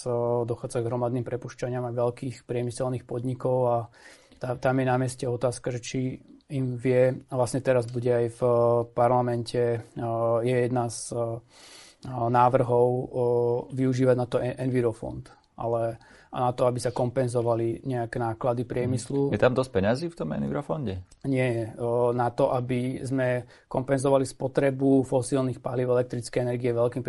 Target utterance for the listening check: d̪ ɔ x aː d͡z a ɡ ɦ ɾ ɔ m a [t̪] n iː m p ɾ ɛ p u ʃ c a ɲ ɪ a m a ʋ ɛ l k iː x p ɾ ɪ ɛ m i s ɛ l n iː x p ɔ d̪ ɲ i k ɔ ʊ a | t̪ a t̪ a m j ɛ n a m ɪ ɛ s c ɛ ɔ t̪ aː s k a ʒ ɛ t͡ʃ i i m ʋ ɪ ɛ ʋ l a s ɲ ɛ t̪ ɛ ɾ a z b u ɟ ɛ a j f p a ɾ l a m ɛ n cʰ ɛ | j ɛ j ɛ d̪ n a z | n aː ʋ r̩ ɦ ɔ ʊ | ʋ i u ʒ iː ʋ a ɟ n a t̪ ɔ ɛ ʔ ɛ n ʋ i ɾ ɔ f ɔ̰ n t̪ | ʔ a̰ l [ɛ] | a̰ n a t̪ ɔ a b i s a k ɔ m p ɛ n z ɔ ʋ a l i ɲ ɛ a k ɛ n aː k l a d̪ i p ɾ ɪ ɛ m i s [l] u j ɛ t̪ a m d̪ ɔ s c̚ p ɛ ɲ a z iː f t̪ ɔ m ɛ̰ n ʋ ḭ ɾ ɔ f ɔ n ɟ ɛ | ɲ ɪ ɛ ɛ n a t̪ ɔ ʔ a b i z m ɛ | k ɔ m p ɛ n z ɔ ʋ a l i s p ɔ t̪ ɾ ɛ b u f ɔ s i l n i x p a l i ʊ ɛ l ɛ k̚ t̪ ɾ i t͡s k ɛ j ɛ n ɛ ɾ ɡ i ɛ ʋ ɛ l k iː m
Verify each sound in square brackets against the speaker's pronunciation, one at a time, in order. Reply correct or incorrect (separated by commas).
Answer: incorrect, correct, correct